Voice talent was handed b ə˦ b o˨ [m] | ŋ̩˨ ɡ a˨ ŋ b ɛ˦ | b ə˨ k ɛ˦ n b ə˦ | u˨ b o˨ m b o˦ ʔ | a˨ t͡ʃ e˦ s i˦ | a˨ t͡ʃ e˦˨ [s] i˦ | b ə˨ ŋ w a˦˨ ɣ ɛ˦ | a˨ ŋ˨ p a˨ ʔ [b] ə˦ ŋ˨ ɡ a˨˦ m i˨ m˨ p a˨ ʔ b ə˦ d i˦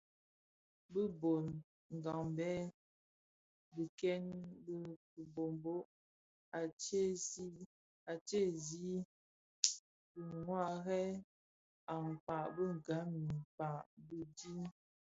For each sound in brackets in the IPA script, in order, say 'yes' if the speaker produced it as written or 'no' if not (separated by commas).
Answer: no, no, yes